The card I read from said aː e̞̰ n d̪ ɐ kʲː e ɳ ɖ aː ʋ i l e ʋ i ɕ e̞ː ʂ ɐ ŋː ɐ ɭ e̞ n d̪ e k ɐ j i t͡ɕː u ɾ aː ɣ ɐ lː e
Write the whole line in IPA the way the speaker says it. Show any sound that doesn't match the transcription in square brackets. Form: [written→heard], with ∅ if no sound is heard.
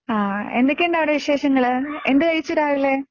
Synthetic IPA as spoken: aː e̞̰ n d̪ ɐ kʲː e ɳ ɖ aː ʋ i [l→ɽ] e ʋ i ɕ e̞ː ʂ ɐ ŋː ɐ ɭ e̞ n d̪ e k ɐ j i t͡ɕː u ɾ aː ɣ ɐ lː e